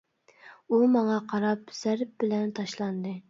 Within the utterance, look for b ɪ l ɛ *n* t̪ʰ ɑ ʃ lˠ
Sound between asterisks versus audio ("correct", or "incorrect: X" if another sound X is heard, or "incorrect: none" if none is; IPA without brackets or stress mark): correct